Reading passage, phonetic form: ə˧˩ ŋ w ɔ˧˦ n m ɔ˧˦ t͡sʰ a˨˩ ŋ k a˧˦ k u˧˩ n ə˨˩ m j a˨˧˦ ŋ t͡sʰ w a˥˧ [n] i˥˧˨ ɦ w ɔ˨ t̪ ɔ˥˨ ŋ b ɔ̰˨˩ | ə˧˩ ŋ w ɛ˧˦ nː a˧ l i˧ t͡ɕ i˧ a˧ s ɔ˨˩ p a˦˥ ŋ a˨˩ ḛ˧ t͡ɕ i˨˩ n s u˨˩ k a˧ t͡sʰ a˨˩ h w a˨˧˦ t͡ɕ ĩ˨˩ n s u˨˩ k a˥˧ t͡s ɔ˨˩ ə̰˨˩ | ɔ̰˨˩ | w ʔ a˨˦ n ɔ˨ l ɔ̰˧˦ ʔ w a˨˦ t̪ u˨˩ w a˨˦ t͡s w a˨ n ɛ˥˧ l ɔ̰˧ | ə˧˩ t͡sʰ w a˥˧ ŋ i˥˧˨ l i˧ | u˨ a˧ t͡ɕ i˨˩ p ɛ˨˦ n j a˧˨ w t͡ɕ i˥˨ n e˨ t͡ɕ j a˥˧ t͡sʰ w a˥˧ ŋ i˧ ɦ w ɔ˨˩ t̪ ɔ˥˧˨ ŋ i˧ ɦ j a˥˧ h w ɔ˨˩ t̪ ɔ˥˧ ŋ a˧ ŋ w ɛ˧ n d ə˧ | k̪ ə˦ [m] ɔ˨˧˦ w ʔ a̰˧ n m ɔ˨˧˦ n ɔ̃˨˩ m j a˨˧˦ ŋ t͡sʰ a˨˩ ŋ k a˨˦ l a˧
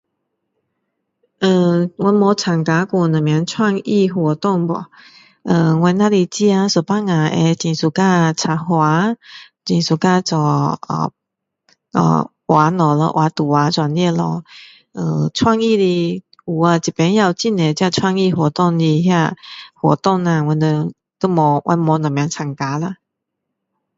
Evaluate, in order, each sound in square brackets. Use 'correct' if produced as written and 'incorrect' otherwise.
incorrect, correct

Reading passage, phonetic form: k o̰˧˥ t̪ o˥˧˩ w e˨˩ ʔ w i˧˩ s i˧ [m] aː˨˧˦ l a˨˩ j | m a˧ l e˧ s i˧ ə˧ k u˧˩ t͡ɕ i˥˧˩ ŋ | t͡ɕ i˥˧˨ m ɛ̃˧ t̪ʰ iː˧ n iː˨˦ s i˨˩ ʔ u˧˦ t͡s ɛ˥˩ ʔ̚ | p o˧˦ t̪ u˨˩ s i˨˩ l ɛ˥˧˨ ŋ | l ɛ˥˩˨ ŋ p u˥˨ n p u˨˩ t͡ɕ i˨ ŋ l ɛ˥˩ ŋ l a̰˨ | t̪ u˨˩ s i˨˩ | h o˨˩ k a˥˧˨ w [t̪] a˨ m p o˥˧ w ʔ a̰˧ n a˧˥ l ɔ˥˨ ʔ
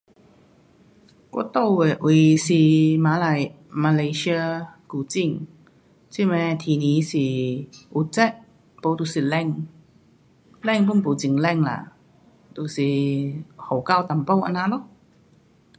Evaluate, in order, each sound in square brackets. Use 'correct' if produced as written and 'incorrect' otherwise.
correct, correct

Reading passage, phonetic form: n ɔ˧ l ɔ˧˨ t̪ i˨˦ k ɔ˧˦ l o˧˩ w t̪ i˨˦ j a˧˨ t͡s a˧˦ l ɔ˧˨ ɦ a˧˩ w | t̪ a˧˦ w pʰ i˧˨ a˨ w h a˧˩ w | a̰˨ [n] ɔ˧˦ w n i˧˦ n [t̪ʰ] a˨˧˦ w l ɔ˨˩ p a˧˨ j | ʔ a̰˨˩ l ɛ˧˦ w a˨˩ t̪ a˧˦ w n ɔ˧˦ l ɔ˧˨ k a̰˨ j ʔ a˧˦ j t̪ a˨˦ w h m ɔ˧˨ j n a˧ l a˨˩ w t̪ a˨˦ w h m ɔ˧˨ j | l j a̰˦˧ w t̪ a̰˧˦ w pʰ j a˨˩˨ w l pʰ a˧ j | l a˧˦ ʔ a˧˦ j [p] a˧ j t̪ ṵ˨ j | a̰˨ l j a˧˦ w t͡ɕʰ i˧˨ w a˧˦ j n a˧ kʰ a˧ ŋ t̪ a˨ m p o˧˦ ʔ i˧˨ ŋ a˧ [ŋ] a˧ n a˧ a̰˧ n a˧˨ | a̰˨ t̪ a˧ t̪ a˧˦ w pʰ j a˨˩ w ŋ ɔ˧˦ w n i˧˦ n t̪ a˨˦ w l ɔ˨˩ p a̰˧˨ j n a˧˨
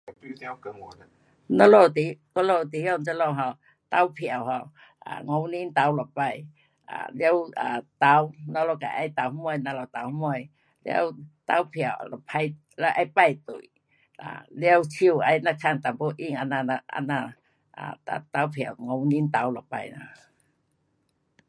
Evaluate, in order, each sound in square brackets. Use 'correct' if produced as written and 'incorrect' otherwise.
incorrect, incorrect, correct, incorrect

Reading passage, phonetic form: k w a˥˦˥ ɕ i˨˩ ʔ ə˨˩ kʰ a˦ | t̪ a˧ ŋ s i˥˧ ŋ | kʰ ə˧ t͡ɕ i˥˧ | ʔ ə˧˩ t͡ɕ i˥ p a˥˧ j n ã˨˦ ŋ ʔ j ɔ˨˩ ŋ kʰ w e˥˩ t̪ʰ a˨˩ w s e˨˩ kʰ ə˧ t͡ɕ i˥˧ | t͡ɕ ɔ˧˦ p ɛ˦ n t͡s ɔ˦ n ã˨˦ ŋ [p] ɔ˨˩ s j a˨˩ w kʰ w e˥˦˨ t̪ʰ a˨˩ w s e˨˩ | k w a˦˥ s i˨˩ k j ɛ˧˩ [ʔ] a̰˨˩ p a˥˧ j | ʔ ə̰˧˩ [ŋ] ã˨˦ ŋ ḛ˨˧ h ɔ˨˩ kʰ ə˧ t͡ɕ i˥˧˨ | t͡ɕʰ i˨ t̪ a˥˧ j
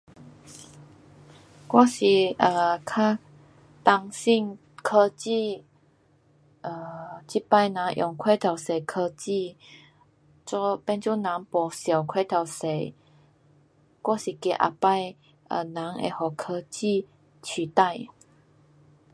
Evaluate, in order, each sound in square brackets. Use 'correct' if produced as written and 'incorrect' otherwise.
correct, correct, incorrect

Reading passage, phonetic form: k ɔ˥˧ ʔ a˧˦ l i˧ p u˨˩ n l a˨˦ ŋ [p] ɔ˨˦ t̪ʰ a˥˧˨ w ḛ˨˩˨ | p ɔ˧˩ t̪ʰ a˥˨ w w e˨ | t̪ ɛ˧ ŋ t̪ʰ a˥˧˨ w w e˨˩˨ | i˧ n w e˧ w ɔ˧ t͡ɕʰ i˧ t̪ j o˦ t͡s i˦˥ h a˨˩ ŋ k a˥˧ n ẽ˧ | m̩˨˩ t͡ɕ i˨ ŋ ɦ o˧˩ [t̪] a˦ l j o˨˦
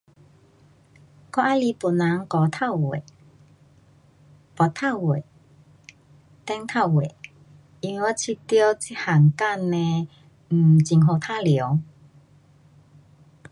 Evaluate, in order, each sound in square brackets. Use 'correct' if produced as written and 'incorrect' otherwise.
incorrect, incorrect

